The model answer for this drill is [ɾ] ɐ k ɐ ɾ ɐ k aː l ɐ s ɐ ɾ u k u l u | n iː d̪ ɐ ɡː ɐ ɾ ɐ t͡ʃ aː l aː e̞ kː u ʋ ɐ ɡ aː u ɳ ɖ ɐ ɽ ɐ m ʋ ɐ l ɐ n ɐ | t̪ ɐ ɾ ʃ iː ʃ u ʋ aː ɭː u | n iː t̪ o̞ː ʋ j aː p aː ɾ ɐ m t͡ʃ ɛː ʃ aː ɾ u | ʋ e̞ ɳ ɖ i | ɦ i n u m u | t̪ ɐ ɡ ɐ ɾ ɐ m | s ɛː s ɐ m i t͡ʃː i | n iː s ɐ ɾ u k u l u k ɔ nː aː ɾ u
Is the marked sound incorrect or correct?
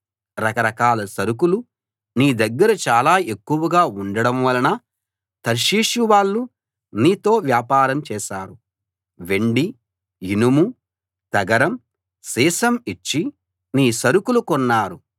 correct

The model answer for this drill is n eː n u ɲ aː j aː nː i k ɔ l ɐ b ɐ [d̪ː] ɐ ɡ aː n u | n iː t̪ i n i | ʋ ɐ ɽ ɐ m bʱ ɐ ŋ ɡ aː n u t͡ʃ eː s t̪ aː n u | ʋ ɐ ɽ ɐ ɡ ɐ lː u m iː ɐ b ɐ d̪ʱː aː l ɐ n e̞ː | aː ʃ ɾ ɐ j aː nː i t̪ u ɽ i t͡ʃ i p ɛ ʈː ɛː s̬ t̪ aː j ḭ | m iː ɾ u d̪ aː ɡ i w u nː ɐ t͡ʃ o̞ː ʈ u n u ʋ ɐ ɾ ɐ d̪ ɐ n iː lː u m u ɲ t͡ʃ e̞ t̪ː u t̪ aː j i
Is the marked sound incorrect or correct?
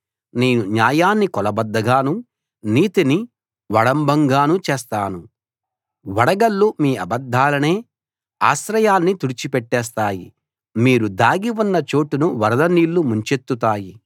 correct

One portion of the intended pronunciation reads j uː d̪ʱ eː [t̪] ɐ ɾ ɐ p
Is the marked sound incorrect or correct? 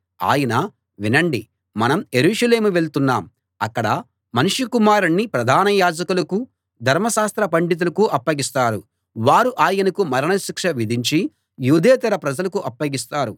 correct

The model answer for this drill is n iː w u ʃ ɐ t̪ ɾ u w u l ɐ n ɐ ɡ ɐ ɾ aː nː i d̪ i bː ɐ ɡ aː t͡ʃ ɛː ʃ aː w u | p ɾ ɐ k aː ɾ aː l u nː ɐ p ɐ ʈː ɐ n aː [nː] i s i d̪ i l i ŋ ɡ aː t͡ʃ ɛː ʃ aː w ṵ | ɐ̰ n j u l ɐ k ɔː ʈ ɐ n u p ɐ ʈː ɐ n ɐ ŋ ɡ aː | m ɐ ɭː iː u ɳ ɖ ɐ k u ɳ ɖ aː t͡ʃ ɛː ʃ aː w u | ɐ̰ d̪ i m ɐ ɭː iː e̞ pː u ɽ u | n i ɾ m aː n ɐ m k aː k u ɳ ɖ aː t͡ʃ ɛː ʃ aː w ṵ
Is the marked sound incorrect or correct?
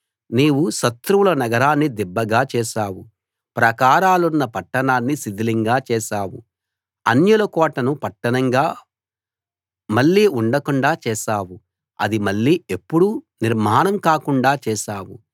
correct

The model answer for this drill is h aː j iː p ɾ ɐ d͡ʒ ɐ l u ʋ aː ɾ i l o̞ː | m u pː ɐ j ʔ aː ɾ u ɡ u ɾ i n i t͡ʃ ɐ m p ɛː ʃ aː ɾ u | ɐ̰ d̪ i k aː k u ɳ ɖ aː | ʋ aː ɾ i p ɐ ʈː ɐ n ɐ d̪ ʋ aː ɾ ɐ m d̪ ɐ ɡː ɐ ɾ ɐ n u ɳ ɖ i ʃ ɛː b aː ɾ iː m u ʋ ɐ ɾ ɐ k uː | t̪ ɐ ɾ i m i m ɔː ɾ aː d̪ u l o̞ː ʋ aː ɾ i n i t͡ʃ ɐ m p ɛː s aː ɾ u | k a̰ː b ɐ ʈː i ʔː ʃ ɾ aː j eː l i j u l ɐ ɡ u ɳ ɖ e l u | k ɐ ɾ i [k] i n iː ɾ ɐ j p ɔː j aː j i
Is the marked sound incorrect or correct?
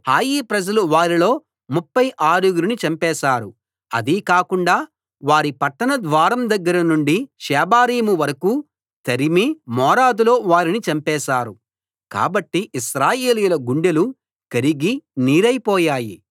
incorrect: ɡ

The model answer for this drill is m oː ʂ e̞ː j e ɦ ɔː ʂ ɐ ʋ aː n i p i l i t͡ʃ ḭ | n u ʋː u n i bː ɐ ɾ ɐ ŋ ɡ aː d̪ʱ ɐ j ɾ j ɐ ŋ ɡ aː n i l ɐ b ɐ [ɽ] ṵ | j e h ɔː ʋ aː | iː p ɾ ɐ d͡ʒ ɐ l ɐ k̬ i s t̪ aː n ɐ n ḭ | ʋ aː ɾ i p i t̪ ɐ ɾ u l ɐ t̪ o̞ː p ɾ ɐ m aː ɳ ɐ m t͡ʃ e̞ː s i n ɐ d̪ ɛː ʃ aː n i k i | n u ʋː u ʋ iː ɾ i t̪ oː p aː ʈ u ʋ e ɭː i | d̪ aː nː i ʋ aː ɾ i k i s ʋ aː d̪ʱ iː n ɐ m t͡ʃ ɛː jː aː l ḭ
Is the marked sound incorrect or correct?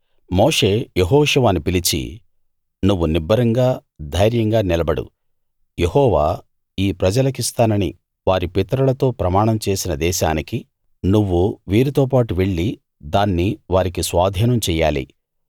correct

